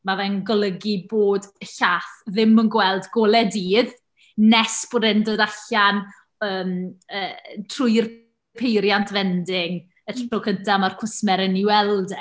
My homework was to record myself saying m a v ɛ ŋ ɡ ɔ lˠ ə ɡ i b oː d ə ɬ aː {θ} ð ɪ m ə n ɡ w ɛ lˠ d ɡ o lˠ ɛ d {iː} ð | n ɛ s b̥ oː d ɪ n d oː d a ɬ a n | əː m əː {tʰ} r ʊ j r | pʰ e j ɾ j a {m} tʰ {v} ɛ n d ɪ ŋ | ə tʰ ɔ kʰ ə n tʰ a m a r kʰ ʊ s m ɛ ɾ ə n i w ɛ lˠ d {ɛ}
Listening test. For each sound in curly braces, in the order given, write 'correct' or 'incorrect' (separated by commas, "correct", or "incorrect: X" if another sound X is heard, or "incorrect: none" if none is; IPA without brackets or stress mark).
correct, correct, correct, incorrect: n, correct, correct